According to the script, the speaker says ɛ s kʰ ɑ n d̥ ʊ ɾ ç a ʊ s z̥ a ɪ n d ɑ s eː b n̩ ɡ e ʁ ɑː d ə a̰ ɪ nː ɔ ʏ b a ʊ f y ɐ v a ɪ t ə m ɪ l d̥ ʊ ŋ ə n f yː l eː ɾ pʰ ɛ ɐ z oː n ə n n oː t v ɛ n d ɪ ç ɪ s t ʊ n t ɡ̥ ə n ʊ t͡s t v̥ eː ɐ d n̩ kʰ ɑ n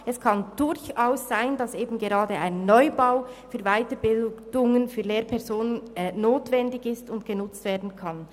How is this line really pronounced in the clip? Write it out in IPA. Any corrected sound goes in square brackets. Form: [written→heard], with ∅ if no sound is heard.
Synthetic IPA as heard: ɛ s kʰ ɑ n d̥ ʊ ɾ ç a ʊ s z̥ a ɪ n d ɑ s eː b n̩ ɡ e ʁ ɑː d ə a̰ ɪ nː ɔ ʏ b a ʊ f [y→yː] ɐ v a ɪ t ə [m→b] ɪ l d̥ ʊ ŋ ə n f yː l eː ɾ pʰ ɛ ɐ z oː n ə n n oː t v ɛ n d ɪ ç ɪ s t ʊ n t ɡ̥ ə n ʊ t͡s t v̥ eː ɐ d n̩ kʰ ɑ n